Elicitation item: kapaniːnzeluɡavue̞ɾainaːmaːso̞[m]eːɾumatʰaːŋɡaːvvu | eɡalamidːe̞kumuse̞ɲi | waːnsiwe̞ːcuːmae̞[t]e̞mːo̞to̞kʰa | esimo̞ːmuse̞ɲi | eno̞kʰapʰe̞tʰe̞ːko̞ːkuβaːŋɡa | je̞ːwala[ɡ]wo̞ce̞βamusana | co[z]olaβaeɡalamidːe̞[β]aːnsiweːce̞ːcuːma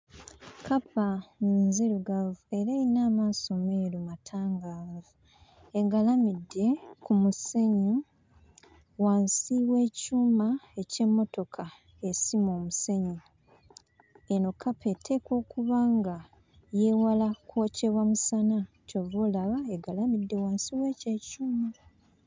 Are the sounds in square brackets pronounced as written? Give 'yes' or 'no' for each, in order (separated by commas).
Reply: yes, no, no, no, no